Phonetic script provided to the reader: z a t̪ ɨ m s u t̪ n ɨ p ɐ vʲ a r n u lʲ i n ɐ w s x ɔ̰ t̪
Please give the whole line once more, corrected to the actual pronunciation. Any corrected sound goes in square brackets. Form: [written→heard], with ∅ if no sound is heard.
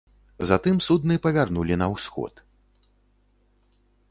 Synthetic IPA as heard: z a t̪ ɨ m s u [t̪→d̪] n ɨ p ɐ vʲ a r n u lʲ i n ɐ w s x ɔ̰ t̪